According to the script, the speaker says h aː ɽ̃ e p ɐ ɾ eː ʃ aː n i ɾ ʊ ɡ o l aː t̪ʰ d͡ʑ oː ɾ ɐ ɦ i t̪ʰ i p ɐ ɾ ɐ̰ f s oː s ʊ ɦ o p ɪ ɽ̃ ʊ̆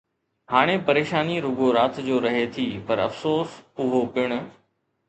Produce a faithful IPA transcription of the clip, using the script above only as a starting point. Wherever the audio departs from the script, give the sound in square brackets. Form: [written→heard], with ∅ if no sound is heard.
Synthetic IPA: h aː ɽ̃ e p ɐ ɾ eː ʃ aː n i ɾ ʊ ɡ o [l→ɾ] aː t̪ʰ d͡ʑ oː ɾ ɐ ɦ [i→e] t̪ʰ i p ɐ ɾ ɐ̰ f s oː s ʊ ɦ o p ɪ ɽ̃ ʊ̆